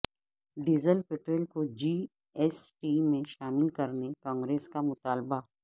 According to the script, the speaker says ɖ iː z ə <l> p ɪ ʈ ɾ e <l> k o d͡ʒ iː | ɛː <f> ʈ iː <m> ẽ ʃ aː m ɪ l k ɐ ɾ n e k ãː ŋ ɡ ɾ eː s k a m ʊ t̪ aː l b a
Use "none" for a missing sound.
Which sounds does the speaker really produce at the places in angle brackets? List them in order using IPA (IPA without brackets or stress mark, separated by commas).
l, l, s, m